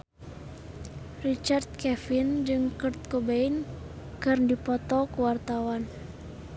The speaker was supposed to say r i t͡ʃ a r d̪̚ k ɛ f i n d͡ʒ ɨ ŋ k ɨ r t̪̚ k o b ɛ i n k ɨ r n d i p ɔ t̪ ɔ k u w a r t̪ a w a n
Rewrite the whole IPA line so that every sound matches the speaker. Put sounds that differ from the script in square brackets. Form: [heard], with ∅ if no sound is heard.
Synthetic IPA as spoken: r i t͡ʃ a r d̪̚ k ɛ f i n d͡ʒ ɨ ŋ k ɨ r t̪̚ k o b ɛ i n k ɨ r n d i p ɔ t̪ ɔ k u w a r t̪ a w a n

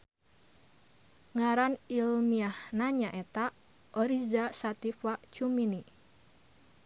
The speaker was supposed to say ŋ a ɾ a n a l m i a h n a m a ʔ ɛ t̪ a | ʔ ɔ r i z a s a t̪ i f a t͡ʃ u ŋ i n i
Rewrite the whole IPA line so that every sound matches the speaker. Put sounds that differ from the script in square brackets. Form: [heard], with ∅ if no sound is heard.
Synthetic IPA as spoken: ŋ a ɾ a n [i] l m i a h n a [ɲ] a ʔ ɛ t̪ a | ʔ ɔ [ɾ] i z a s a t̪ i f a t͡ʃ u [m] i n i

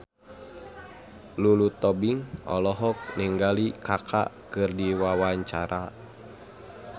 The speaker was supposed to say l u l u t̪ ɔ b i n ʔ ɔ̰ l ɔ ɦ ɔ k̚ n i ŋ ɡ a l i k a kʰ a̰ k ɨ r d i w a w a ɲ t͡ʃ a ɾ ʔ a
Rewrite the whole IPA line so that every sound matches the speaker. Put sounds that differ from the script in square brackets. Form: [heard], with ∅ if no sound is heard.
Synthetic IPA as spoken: l u l u t̪ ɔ b i [ŋ] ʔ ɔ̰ l ɔ ɦ ɔ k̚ n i ŋ ɡ a l i k a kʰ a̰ k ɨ r d i w a w a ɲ t͡ʃ a ɾ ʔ a

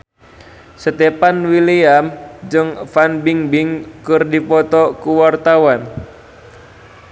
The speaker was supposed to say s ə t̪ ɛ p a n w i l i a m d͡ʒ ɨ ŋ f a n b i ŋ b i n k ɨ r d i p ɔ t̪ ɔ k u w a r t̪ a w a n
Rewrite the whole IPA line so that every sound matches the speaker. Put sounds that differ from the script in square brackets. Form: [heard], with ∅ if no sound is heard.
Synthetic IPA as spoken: s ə t̪ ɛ p a n w i l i a m d͡ʒ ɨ ŋ f a n b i ŋ b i [ŋ] k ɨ r d i p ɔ t̪ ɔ k u w a r t̪ a w a n

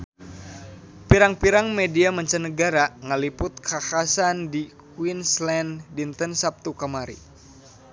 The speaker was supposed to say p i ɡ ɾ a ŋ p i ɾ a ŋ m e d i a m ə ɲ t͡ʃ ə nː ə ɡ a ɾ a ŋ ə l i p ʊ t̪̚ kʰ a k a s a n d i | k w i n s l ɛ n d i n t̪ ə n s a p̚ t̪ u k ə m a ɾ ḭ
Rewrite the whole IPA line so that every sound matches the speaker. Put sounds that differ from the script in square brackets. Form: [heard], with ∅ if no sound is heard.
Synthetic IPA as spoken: p i [∅] ɾ a ŋ p i ɾ a ŋ m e d i a m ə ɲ t͡ʃ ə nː ə ɡ a ɾ a ŋ ə l i p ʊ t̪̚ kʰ a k a s a n d i | k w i n s l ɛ n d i n t̪ ə n s a p̚ t̪ u k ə m a ɾ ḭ

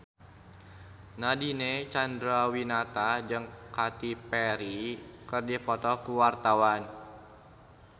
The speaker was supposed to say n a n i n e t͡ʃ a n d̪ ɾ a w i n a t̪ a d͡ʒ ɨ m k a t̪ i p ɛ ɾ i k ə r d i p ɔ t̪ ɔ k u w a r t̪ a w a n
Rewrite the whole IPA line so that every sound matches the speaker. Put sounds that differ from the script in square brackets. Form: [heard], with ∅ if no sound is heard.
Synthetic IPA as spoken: n a [d] i n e t͡ʃ a n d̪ ɾ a w i n a t̪ a d͡ʒ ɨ [ŋ] k a t̪ i p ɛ ɾ i k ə r d i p ɔ t̪ ɔ k u w a r t̪ a w a n

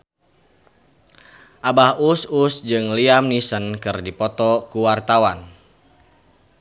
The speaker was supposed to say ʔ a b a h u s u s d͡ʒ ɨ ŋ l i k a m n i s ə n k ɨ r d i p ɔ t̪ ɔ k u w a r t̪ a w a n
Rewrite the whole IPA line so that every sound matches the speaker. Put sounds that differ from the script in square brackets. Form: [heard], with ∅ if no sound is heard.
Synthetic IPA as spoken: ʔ a b a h u s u s d͡ʒ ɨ ŋ l i [∅] a m n i s ə n k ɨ r d i p ɔ t̪ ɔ k u w a r t̪ a w a n

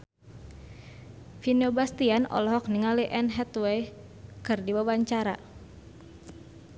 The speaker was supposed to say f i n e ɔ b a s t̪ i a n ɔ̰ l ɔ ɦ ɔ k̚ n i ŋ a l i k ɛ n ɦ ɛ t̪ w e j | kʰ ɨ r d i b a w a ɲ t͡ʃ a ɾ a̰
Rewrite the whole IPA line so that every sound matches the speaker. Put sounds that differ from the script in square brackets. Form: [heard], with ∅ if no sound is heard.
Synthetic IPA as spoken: f i n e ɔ b a s t̪ i a n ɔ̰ l ɔ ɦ ɔ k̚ n i ŋ a l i [ʔ] ɛ n ɦ ɛ t̪ w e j | [k] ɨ r d i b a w a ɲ t͡ʃ a ɾ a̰

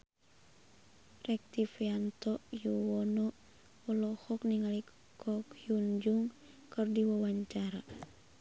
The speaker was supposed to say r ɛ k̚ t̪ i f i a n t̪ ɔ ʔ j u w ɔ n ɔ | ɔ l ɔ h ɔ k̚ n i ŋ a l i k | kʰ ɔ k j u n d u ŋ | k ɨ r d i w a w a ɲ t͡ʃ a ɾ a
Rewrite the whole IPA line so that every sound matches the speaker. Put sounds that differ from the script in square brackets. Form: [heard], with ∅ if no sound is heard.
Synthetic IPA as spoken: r ɛ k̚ t̪ i f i a n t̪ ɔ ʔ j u w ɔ n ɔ | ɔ l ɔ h ɔ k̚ n i ŋ a l i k | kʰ ɔ k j u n [d͡ʒ] u ŋ | k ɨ r d i w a w a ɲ t͡ʃ a ɾ a

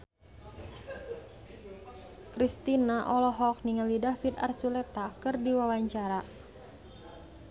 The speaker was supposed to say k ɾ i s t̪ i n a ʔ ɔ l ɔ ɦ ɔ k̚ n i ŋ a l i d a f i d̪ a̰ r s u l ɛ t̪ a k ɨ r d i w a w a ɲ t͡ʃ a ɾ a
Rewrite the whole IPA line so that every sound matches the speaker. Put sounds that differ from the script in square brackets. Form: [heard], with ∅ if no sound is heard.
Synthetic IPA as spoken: k ɾ i s t̪ i n a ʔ ɔ l ɔ ɦ ɔ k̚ n i ŋ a l i d a f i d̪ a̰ r s u l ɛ t̪ a k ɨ r d i w a w a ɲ t͡ʃ a ɾ a

